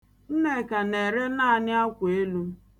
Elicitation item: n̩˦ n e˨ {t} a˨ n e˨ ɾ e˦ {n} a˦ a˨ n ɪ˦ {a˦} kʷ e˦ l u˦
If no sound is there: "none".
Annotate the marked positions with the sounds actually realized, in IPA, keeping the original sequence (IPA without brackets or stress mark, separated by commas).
k, n, a˦